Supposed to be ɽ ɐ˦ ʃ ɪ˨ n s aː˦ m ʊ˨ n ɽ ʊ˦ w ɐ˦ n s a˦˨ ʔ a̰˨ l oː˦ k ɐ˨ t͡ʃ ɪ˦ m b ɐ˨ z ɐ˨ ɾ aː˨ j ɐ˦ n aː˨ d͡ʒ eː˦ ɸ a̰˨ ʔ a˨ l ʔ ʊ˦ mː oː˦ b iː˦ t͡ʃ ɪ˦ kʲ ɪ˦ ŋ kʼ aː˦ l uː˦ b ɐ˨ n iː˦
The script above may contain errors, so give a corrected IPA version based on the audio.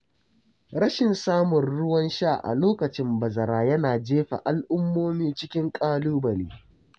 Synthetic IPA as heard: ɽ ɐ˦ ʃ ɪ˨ n s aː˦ m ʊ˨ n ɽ ʊ˦ w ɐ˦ n ʃ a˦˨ ʔ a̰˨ l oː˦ k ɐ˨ t͡ʃ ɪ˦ m b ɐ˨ z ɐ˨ ɾ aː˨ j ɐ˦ n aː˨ d͡ʒ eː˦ ɸ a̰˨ ʔ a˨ l ʔ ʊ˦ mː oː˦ m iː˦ t͡ʃ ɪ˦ kʲ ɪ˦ ŋ kʼ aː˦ l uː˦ b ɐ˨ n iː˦